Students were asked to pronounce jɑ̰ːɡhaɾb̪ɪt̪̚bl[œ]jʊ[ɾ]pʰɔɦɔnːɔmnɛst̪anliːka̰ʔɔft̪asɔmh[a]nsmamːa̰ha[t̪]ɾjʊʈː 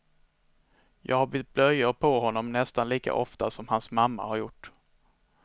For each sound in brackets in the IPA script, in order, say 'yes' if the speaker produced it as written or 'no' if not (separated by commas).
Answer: yes, yes, yes, no